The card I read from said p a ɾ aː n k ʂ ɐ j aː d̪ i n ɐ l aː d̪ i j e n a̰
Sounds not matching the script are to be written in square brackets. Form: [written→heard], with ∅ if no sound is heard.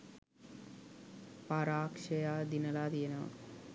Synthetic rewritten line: p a ɾ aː [n→∅] k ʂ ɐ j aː d̪ i n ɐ l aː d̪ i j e n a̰